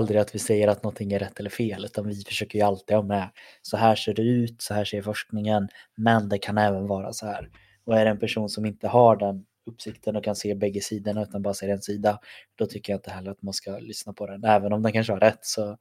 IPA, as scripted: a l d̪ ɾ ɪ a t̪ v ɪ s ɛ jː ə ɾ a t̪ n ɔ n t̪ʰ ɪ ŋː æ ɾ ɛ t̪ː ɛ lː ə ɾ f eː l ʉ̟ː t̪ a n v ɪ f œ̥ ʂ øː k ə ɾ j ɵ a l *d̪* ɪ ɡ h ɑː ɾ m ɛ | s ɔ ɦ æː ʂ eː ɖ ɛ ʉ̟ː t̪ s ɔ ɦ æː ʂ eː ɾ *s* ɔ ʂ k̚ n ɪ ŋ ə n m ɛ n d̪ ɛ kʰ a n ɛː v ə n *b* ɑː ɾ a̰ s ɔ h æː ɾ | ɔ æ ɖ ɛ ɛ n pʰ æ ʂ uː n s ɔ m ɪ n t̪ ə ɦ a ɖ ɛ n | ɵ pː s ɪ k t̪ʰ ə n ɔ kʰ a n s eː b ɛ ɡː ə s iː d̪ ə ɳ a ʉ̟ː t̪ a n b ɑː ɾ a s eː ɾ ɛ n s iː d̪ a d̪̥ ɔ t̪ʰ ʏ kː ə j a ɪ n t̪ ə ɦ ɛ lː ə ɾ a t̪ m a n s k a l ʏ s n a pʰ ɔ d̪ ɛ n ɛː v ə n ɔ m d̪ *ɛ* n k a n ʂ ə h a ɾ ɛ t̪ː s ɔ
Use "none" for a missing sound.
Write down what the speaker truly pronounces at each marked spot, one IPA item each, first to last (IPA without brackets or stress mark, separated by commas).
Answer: t̪, f, v, ɛ